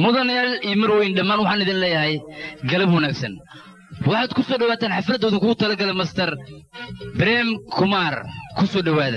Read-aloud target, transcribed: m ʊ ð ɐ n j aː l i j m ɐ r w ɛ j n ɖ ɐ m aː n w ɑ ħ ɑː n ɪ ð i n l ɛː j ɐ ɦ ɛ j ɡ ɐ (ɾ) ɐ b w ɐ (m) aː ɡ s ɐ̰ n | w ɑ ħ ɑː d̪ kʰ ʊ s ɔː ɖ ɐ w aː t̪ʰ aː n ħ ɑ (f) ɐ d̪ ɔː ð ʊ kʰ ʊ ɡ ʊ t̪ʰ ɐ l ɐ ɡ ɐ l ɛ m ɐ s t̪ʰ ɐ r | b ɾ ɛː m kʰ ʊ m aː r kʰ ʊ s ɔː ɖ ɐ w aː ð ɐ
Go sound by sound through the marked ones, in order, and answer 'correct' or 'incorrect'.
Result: incorrect: l, incorrect: n, correct

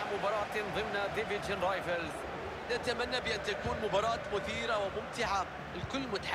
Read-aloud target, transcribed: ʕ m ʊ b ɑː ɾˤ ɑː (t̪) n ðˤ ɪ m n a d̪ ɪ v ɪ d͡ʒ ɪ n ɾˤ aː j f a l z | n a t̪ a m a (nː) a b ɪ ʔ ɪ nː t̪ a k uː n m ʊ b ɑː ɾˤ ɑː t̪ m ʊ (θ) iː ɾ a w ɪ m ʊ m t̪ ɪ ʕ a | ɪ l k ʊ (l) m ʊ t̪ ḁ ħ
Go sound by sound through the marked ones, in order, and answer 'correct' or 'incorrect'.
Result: correct, correct, correct, incorrect: lː

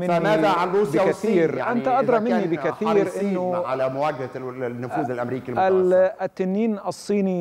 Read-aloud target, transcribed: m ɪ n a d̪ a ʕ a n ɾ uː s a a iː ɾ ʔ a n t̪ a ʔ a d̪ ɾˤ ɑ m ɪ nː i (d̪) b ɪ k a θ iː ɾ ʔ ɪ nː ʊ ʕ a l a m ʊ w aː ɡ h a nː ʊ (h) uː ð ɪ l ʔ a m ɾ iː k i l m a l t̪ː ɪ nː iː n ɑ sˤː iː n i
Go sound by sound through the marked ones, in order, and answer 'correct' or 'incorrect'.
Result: incorrect: none, incorrect: f

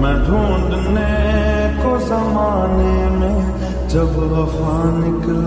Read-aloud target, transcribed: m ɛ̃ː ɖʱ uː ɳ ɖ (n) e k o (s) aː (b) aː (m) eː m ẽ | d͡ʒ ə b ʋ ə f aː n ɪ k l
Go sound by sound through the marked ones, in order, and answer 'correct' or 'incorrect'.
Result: correct, correct, incorrect: m, incorrect: n

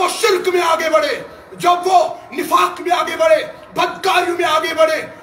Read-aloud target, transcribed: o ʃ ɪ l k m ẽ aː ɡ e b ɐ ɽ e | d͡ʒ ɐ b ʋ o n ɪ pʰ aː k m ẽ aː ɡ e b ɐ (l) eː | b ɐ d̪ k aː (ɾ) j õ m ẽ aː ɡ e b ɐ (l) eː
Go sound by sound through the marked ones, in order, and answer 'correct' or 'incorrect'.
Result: incorrect: ɽ, correct, incorrect: ɽ

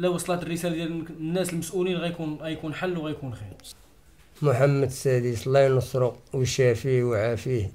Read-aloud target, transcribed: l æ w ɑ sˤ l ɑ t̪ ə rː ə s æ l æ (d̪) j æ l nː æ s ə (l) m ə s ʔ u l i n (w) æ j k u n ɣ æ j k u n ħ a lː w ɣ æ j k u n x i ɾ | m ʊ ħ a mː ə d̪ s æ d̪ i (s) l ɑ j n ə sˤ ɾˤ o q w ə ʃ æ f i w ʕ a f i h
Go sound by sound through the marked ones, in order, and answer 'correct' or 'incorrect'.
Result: correct, correct, incorrect: ɣ, correct

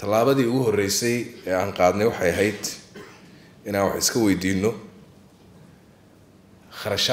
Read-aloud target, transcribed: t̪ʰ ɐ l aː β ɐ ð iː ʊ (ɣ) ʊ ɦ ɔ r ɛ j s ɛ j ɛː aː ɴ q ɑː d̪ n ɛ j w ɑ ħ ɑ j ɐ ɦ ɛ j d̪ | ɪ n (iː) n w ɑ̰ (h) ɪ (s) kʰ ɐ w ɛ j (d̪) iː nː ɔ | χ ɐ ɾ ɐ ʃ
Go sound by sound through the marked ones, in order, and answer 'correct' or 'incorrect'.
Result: correct, incorrect: aː, incorrect: ħ, correct, correct

